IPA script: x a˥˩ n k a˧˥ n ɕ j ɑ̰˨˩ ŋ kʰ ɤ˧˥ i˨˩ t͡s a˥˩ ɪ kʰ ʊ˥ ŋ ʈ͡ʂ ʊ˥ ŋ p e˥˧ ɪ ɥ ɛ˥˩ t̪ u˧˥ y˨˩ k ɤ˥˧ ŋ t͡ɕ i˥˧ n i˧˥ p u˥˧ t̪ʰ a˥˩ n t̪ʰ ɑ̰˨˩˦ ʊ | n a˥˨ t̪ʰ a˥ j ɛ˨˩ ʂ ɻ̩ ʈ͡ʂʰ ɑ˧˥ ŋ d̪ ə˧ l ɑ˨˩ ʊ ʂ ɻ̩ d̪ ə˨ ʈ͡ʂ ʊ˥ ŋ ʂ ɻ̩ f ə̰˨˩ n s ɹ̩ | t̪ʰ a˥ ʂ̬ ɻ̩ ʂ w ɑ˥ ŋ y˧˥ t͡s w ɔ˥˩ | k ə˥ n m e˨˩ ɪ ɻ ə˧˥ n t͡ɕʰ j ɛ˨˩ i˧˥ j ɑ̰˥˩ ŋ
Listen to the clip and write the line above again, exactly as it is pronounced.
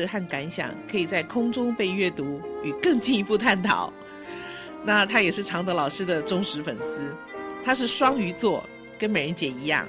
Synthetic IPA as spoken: x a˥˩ n k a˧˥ n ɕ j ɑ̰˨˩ ŋ kʰ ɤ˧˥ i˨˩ t͡s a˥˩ ɪ kʰ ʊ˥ ŋ ʈ͡ʂ ʊ˥ ŋ p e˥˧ ɪ ɥ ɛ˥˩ t̪ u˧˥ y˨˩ k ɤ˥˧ ŋ t͡ɕ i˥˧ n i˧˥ p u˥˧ t̪ʰ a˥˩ n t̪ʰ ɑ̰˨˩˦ ʊ | n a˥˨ t̪ʰ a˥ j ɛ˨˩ ʂ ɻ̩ ʈ͡ʂʰ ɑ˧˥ ŋ d̪ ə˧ l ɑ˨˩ ʊ ʂ ɻ̩ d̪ ə˨ ʈ͡ʂ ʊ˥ ŋ ʂ ɻ̩ f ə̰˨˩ n s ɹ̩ | t̪ʰ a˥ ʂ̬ ɻ̩ ʂ w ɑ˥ ŋ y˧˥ t͡s w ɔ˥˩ | k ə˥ n m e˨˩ ɪ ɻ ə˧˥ n t͡ɕ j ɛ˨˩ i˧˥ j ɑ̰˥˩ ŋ